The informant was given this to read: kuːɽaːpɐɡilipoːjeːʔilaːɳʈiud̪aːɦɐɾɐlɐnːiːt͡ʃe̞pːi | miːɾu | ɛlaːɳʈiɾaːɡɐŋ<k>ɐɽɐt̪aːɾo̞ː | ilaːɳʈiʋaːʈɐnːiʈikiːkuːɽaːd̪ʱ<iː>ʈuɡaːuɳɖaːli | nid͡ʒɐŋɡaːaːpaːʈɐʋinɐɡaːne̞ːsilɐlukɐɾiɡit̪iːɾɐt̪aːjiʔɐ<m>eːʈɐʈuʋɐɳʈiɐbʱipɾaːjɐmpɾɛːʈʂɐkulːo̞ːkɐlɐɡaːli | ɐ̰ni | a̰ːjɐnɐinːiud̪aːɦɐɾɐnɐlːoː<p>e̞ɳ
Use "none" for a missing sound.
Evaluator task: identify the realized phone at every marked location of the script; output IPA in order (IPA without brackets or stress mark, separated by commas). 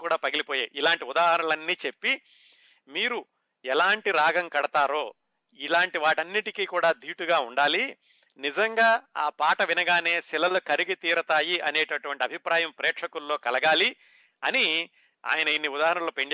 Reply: k, iː, n, p